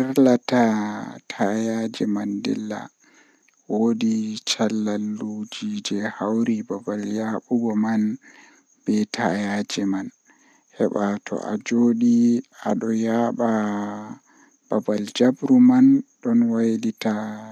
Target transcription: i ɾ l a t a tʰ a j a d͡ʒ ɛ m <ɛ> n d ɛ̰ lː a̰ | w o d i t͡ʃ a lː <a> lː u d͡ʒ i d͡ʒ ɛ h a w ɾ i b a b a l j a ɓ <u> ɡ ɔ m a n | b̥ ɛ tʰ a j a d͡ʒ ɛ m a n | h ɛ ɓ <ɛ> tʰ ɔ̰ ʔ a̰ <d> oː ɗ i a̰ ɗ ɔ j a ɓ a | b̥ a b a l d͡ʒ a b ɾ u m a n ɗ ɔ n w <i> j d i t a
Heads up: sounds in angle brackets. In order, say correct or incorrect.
incorrect, correct, correct, incorrect, incorrect, incorrect

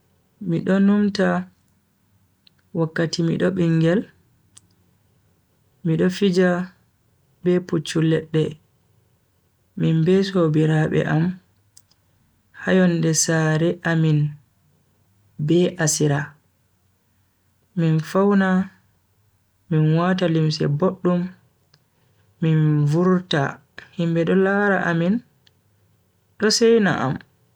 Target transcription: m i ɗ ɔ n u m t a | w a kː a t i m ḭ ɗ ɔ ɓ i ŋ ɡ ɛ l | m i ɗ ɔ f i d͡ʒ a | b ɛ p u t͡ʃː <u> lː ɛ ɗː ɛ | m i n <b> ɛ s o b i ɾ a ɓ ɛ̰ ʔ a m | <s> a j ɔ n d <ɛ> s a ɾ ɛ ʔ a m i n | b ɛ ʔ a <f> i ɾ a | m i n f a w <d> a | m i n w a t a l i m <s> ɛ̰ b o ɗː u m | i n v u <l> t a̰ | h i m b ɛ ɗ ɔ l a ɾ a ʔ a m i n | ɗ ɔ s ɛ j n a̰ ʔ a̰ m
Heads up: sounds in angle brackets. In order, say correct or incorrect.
correct, correct, incorrect, correct, incorrect, incorrect, correct, incorrect

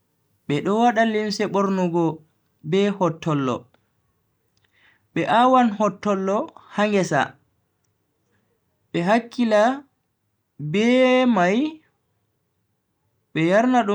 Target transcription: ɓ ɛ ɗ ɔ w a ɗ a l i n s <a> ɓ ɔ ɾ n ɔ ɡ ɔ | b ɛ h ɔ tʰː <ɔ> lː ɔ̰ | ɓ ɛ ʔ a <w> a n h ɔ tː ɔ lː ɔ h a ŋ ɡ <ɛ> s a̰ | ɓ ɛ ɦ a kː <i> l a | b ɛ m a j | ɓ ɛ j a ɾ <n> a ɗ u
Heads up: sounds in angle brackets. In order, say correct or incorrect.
incorrect, correct, correct, correct, correct, correct

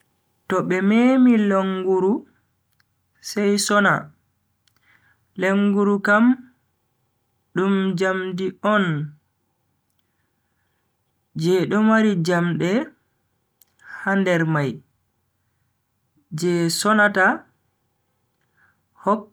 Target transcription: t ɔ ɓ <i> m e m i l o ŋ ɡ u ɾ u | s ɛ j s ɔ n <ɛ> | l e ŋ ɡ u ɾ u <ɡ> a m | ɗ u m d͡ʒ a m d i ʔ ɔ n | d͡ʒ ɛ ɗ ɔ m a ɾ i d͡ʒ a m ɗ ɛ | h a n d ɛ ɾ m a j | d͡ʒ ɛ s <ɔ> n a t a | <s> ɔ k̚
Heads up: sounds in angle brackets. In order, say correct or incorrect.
incorrect, incorrect, incorrect, correct, incorrect

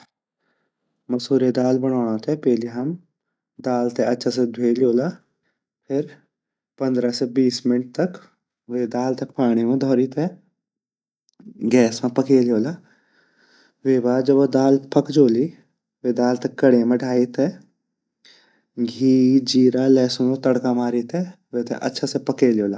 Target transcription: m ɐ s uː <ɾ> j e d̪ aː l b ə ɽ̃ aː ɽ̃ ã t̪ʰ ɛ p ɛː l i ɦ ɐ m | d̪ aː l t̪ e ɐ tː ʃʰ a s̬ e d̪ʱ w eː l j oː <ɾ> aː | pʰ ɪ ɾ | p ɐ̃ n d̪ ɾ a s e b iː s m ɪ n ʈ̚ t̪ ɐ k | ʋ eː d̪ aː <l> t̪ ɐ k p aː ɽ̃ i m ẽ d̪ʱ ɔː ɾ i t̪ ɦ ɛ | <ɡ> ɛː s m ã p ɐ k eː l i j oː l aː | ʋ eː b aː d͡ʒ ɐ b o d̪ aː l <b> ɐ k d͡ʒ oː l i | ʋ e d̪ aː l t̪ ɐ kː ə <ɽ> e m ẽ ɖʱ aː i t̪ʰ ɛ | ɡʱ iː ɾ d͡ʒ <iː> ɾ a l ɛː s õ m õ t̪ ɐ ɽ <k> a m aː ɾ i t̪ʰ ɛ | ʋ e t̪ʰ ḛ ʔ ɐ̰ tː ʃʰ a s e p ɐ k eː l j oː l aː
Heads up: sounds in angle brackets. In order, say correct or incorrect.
correct, incorrect, correct, correct, incorrect, correct, correct, correct

